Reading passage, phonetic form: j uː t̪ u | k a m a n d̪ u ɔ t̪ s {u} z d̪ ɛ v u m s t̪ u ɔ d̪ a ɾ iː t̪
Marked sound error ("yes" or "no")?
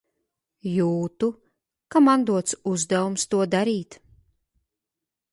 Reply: no